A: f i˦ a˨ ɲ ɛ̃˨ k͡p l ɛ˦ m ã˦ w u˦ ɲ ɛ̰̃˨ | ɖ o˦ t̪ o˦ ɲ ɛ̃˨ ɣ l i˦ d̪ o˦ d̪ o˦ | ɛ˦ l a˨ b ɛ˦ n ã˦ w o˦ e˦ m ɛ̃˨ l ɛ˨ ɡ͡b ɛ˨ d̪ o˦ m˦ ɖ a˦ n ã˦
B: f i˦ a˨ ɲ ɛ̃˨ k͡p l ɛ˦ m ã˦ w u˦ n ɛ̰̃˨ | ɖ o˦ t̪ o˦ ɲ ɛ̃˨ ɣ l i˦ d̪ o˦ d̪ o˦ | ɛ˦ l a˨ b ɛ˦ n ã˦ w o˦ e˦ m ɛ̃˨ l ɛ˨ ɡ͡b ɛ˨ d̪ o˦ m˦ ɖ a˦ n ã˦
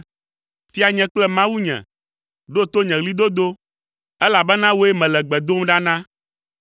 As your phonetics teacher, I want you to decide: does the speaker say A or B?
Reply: A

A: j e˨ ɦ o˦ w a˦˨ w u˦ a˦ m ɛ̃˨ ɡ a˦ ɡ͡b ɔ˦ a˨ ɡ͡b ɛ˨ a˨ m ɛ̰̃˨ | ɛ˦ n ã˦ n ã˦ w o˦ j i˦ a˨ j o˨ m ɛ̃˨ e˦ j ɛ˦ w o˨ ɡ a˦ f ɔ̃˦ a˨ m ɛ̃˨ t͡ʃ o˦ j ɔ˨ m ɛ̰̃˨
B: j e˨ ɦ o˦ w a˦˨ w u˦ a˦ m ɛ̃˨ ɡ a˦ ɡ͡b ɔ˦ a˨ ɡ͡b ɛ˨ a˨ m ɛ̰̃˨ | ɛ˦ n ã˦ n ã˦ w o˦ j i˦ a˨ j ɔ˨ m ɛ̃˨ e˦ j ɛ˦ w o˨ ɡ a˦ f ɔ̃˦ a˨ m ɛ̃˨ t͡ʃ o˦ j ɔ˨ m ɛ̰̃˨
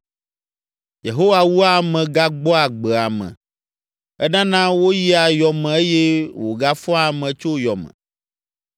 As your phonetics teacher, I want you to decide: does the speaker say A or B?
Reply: B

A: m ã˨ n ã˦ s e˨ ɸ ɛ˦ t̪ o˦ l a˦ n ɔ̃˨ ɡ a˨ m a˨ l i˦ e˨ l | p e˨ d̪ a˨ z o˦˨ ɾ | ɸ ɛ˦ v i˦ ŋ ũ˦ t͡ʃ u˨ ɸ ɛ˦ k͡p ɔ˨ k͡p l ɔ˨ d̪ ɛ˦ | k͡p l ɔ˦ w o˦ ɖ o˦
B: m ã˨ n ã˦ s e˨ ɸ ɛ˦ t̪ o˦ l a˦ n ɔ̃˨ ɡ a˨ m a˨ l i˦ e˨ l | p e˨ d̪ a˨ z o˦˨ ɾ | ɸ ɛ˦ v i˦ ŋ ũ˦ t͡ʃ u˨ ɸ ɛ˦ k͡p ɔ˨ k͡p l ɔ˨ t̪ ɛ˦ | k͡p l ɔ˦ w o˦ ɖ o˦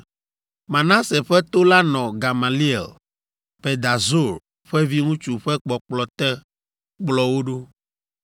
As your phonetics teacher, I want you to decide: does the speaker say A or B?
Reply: B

